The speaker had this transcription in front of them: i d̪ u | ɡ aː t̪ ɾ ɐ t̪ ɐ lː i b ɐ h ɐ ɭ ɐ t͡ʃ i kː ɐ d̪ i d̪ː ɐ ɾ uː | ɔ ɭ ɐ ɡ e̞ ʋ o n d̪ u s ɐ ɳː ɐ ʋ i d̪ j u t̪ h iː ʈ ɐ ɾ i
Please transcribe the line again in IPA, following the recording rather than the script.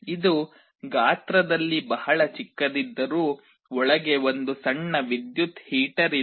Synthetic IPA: i d̪ u | ɡ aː t̪ ɾ ɐ d̪ ɐ lː i b ɐ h ɐ ɭ ɐ t͡ʃ i kː ɐ d̪ i d̪ː ɐ ɾ uː | ɔ ɭ ɐ ɡ e̞ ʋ o n d̪ u s ɐ ɳː ɐ ʋ i d̪ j u t̪ h iː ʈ ɐ ɾ i